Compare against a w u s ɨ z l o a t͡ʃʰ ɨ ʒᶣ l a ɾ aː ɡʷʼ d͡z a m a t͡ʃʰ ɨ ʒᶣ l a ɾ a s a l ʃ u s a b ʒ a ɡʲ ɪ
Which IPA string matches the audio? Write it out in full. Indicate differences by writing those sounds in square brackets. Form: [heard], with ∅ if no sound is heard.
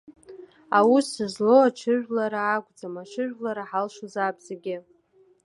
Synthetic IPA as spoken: a w u s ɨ z l o a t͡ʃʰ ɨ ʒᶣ l a ɾ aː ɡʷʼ d͡z a m a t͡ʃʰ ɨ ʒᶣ l a ɾ a [ħ] a l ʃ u [z] a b [z] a ɡʲ ɪ